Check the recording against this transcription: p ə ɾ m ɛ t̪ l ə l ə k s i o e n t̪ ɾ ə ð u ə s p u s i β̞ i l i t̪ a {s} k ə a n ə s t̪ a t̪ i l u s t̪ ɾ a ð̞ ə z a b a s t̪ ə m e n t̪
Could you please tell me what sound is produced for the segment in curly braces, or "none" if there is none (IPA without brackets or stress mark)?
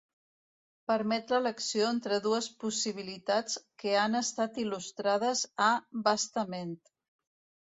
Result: t͡s